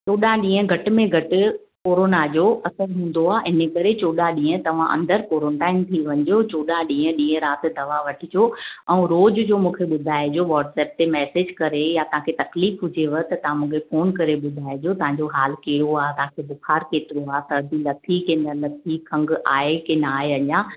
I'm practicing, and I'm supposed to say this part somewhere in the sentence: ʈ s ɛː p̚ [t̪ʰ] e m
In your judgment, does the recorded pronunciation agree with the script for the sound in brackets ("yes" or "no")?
no